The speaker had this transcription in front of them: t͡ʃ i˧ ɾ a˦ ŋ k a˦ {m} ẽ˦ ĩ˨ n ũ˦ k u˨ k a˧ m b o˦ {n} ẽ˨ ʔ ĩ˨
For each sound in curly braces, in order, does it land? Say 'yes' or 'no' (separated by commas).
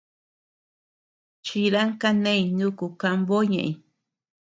no, no